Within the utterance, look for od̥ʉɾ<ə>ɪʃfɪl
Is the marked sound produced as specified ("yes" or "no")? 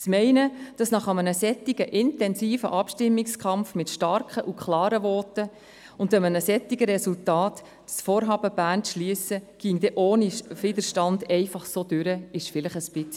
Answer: yes